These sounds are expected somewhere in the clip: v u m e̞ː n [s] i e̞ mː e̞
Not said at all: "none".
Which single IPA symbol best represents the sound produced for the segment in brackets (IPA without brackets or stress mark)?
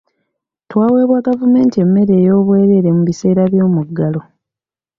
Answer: t